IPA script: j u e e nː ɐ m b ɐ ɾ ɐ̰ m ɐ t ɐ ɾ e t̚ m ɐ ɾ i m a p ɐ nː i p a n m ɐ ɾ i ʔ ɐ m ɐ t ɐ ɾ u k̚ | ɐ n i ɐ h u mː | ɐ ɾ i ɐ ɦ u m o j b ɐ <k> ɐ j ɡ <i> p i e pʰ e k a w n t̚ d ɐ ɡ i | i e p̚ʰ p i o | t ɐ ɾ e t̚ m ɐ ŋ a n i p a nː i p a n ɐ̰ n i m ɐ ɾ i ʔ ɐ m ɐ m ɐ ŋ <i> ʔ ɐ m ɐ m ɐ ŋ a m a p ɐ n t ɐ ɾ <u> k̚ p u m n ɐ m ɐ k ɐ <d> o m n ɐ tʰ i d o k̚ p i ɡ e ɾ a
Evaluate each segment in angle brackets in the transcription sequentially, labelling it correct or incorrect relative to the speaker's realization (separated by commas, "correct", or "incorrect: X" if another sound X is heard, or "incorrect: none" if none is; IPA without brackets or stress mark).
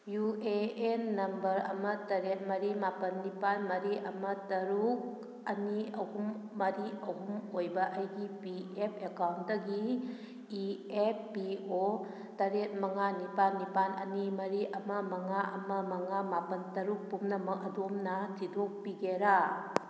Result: incorrect: ʔ, correct, incorrect: a, correct, correct